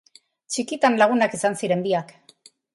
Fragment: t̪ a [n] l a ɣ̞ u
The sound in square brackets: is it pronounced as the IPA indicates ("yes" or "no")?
yes